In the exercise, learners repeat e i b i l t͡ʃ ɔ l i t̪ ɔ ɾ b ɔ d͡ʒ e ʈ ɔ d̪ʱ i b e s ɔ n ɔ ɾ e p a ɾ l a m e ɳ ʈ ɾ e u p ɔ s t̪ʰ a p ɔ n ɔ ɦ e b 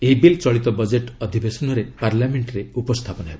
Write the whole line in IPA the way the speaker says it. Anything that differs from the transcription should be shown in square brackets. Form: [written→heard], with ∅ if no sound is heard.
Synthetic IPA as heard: e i b i l t͡ʃ ɔ [l→ɭ] i t̪ ɔ [ɾ→∅] b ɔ d͡ʒ e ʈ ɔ d̪ʱ i b e s ɔ n ɔ ɾ e p a ɾ l a m e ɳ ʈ ɾ e u p ɔ s t̪ʰ a p ɔ n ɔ ɦ e b